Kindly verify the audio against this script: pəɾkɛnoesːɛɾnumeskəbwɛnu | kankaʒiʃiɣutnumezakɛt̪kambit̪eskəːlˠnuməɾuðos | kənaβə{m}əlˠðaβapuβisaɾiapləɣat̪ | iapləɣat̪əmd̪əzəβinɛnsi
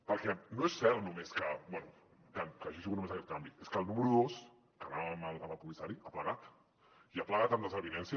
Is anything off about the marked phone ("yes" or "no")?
no